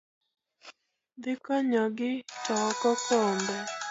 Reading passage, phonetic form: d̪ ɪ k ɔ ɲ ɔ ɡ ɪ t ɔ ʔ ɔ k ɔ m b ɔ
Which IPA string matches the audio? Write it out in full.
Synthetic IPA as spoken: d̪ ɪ k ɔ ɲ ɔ ɡ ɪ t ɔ k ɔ k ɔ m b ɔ